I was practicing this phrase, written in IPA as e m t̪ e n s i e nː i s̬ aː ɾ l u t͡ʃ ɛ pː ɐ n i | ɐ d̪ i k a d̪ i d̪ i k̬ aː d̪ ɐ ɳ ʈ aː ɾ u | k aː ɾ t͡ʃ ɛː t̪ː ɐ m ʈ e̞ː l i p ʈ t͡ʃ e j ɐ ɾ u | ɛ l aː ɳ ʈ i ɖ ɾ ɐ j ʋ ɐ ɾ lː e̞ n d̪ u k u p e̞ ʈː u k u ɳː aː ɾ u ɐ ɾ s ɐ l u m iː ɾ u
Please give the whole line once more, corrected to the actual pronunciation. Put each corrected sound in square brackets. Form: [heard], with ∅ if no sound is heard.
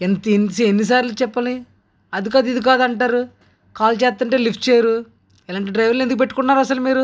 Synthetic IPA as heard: e [n] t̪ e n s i e nː i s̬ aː ɾ l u t͡ʃ ɛ pː ɐ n i | ɐ d̪ i k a d̪ i d̪ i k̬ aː d̪ ɐ ɳ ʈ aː ɾ u | k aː [l] t͡ʃ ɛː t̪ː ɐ [ɳ] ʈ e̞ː l i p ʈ t͡ʃ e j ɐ ɾ u | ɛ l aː ɳ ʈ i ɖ ɾ ɐ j ʋ ɐ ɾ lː e̞ n d̪ u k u p e̞ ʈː u k u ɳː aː ɾ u ɐ [∅] s ɐ l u m iː ɾ u

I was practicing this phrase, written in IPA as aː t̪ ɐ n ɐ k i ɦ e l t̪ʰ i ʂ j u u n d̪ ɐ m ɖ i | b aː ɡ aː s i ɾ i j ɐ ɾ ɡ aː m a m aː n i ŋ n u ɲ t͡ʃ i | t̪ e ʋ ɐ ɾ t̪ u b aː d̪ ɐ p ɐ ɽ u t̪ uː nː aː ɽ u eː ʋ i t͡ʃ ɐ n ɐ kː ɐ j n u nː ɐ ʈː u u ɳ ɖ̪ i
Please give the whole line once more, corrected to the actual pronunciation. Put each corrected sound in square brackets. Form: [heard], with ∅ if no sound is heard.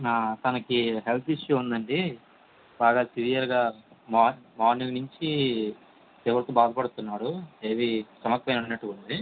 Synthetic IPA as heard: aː t̪ ɐ n ɐ k i ɦ e l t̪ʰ i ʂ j u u n d̪ ɐ [ɳ] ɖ i | b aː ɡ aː s i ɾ i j ɐ ɾ ɡ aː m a m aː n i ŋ n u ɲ t͡ʃ i | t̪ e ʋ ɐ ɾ t̪ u b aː d̪ ɐ p ɐ ɽ u t̪ [u] nː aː ɽ u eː ʋ i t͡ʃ ɐ [m] ɐ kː ɐ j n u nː ɐ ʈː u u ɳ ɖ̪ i

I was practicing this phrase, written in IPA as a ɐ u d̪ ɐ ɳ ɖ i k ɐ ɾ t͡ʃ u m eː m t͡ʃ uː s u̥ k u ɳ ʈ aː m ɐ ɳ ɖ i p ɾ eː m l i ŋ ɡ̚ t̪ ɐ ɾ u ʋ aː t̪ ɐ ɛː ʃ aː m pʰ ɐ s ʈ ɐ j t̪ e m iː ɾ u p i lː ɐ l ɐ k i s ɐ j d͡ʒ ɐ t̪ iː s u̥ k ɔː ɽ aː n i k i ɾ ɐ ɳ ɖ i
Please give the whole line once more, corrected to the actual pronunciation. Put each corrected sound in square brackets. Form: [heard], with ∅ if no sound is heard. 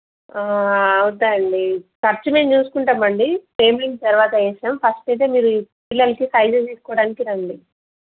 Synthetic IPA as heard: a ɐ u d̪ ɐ ɳ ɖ i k ɐ ɾ t͡ʃ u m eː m t͡ʃ uː s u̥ k u ɳ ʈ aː m ɐ ɳ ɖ i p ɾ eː m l i ŋ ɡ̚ t̪ ɐ ɾ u ʋ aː t̪ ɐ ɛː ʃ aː m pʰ ɐ s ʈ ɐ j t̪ e m iː ɾ u p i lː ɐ l ɐ k i s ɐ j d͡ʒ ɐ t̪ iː s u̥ k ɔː ɽ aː n i k i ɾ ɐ ɳ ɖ i

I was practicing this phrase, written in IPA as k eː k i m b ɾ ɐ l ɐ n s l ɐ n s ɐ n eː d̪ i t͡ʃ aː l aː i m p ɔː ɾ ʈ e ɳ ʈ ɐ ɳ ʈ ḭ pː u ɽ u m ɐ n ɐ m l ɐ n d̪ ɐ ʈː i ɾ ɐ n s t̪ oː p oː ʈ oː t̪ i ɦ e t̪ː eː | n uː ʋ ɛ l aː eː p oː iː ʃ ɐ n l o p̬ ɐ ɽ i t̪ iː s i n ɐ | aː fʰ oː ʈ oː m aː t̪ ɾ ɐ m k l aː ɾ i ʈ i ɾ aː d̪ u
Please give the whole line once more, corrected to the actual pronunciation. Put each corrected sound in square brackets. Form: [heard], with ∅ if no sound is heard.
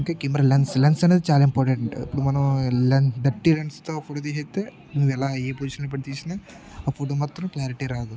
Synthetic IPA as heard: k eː k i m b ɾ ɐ l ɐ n s l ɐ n s ɐ n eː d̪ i t͡ʃ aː l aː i m p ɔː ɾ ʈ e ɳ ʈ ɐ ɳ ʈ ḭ pː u ɽ u m ɐ n ɐ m l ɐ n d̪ ɐ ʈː i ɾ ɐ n s t̪ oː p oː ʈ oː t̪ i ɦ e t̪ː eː | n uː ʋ ɛ l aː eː p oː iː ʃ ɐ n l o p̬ ɐ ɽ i t̪ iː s i n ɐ | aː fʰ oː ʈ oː m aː t̪ ɾ ɐ m k l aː ɾ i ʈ i ɾ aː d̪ u

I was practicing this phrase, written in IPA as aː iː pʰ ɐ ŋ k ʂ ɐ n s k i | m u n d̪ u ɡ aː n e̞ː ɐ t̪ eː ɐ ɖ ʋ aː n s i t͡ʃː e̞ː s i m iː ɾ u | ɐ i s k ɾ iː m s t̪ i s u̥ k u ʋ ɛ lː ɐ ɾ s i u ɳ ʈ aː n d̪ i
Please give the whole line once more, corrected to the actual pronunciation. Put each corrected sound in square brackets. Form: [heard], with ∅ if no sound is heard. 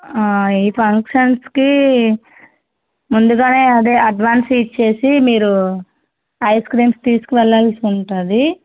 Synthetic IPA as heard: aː iː pʰ ɐ ŋ k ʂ ɐ n s k i | m u n d̪ u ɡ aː n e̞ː ɐ [d̪] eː ɐ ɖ ʋ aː n s i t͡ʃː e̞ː s i m iː ɾ u | ɐ [j] s k ɾ iː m s t̪ [iː] s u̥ k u ʋ ɛ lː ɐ [l] s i u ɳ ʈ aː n d̪ i

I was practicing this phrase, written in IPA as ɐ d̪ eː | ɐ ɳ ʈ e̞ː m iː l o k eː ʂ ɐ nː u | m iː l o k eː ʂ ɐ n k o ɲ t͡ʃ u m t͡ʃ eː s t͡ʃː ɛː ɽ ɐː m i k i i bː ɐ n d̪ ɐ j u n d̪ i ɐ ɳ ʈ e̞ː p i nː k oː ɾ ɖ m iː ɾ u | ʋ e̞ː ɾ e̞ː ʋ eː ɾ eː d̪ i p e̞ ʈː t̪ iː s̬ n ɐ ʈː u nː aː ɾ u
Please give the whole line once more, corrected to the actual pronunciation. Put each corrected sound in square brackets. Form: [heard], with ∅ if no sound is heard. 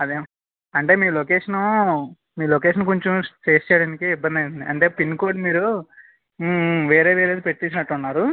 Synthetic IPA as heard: ɐ d̪ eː | ɐ ɳ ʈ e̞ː m iː l o k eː ʂ ɐ [n] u | m iː l o k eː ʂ ɐ n k o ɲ t͡ʃ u m t͡ʃ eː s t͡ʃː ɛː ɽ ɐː [n] i k i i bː ɐ n d̪ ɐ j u n d̪ i ɐ ɳ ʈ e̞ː p i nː k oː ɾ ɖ m iː ɾ u | ʋ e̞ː ɾ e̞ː ʋ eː ɾ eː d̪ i p e̞ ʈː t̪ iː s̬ n ɐ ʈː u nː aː ɾ u

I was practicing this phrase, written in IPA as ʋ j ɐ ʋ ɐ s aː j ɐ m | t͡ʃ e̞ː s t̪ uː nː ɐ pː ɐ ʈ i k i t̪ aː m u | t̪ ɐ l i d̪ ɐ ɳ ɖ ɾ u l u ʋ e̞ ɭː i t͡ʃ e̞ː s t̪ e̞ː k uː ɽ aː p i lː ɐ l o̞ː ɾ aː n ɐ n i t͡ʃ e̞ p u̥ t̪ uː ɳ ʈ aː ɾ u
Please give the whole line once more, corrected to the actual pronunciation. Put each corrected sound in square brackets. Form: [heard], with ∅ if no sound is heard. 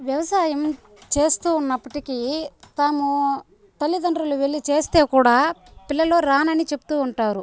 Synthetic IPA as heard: ʋ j ɐ ʋ ɐ s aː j ɐ m | t͡ʃ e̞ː s t̪ uː nː ɐ pː ɐ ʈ i k i t̪ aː m u | t̪ ɐ [lː] i d̪ ɐ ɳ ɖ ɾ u l u ʋ e̞ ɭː i t͡ʃ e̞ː s t̪ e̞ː k uː ɽ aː p i lː ɐ l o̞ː ɾ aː n ɐ n i t͡ʃ e̞ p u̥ t̪ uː ɳ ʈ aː ɾ u

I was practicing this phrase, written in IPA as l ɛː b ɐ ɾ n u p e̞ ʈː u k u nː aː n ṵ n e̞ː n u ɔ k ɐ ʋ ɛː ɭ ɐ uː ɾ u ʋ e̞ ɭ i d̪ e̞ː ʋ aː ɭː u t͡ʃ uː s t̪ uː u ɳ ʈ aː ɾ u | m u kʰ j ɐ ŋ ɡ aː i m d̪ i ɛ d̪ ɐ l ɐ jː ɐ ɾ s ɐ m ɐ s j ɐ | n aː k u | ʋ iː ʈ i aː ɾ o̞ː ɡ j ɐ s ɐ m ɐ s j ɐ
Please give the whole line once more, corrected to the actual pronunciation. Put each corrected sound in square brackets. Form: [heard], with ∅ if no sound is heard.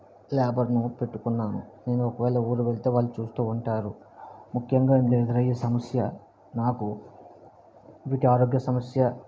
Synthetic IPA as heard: l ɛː b ɐ ɾ n u p e̞ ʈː u k u nː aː n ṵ n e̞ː n u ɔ k ɐ ʋ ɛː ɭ ɐ uː ɾ u ʋ e̞ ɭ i [t̪] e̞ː ʋ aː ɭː u t͡ʃ uː s t̪ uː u ɳ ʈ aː ɾ u | m u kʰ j ɐ ŋ ɡ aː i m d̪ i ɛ d̪ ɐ [ɾ] ɐ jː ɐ [∅] s ɐ m ɐ s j ɐ | n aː k u | ʋ iː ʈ i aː ɾ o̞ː ɡ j ɐ s ɐ m ɐ s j ɐ

